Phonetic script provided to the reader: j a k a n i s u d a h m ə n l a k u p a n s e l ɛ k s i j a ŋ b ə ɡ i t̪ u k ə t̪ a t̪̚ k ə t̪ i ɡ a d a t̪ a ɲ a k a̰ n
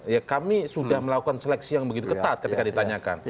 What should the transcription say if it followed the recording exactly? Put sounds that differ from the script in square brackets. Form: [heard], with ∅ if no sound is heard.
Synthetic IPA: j a k a [m] i s u d a h m ə [∅] l a k u [k] a n s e l ɛ k s i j a ŋ b ə ɡ i t̪ u k ə t̪ a t̪̚ k ə t̪ i [k] a d [i] t̪ a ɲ a k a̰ n